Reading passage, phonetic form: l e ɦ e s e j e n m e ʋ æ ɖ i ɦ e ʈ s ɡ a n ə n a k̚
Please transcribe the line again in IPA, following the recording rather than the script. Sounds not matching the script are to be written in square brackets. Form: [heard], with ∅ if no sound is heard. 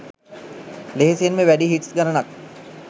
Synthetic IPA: l e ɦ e s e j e n m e ʋ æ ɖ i ɦ [i] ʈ s ɡ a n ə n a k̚

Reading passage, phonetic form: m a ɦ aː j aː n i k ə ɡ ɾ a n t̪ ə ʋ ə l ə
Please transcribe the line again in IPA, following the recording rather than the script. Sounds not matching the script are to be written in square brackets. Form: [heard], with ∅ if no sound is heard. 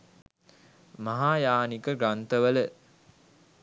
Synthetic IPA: m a ɦ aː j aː n i k ə ɡ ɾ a n t̪ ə ʋ ə l ə

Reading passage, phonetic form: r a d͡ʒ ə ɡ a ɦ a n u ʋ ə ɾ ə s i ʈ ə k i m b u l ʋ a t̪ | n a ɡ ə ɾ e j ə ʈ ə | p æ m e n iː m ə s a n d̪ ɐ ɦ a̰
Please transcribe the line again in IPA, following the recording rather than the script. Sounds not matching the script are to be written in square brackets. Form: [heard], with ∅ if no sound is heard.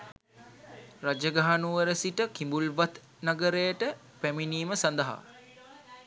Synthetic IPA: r a d͡ʒ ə ɡ a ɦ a n u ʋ ə ɾ ə s i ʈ ə k i m b u l ʋ a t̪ | n a ɡ ə ɾ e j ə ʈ ə | p æ m [i] n iː m ə s a n d̪ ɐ ɦ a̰

